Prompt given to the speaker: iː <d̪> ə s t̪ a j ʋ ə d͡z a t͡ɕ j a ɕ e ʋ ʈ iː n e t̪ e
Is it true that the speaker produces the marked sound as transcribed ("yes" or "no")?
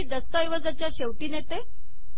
yes